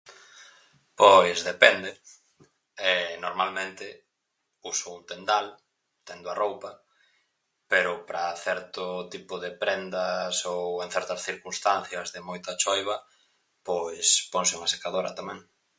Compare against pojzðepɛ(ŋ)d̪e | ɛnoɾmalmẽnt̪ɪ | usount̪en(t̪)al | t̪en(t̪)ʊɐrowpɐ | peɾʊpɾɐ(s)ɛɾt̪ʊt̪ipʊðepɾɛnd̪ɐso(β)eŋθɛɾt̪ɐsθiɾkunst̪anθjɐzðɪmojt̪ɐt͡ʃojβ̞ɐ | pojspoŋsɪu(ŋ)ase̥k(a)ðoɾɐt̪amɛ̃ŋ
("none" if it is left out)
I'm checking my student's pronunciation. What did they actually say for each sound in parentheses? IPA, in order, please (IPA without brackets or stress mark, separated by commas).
n, d̪, d̪, θ, w, ŋ, a